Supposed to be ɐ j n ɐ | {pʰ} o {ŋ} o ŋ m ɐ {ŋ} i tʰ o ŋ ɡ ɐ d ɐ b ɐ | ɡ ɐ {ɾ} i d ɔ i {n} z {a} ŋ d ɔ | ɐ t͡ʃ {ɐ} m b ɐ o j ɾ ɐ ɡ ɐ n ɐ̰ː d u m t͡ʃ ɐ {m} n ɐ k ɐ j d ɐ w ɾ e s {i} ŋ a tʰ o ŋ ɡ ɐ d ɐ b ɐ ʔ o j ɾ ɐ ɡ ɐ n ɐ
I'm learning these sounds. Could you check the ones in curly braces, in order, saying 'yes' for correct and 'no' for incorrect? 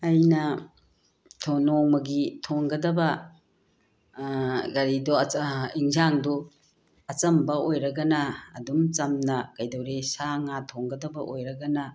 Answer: no, no, no, yes, no, yes, yes, yes, no

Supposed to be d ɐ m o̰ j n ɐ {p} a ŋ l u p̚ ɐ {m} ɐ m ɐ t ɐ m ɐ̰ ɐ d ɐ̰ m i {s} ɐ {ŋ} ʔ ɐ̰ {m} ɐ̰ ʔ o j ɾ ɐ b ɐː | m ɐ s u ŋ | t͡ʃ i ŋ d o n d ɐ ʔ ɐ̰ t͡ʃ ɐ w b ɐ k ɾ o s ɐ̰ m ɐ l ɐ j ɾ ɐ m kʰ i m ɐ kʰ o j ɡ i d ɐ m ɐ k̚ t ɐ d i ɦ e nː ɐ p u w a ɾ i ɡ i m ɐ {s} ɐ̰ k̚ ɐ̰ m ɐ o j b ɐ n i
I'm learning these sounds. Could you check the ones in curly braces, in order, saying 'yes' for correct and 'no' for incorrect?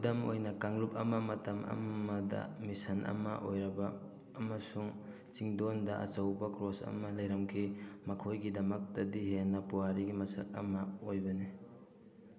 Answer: no, yes, yes, no, yes, yes

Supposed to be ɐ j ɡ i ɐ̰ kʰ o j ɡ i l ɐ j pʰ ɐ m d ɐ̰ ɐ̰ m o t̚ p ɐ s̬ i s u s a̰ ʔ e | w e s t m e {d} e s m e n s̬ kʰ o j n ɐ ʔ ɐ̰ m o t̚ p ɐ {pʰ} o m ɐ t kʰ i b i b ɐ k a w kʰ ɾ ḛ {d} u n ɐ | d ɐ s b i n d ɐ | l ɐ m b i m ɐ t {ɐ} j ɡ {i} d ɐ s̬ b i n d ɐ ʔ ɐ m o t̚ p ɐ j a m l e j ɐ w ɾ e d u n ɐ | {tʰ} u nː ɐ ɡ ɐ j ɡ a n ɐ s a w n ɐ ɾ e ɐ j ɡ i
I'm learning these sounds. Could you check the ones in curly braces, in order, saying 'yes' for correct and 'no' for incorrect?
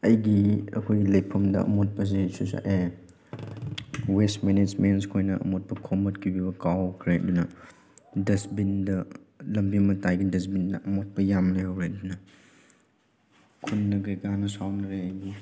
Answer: no, no, yes, no, yes, no

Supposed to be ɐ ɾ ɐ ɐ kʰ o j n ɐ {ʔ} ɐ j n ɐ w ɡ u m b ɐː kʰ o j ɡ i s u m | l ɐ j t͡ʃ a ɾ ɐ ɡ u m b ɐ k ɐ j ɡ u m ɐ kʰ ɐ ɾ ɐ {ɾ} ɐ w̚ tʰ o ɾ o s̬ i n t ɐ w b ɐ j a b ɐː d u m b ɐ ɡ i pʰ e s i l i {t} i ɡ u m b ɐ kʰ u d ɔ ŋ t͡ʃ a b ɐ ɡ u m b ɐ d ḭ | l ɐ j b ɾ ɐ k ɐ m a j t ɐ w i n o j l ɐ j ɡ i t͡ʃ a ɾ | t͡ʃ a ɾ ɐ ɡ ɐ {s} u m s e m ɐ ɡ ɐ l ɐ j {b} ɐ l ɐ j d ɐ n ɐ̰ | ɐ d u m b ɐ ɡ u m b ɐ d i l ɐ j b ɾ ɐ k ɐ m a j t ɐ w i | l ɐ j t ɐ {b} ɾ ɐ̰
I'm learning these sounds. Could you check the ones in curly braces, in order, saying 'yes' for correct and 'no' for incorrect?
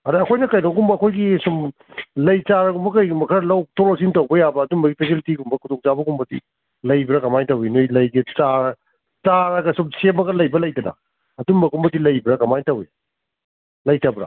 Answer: no, no, yes, yes, yes, yes

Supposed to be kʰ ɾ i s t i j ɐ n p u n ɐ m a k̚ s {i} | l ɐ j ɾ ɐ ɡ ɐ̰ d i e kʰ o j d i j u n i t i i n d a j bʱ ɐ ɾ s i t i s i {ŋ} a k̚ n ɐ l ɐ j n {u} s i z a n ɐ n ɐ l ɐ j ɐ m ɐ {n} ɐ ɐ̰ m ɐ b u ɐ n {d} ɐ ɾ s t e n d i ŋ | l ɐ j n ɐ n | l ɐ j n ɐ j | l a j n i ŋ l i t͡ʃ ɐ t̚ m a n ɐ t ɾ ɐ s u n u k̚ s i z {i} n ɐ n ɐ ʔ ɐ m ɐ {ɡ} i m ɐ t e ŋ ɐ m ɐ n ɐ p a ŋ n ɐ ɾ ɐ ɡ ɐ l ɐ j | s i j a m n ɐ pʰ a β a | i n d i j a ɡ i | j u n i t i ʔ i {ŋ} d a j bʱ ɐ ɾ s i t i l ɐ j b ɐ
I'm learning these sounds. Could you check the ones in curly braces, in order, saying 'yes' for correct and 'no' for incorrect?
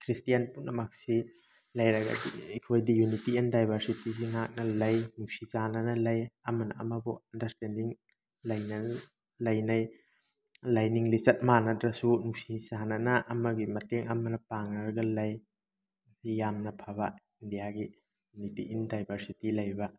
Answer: yes, yes, yes, yes, yes, no, yes, no

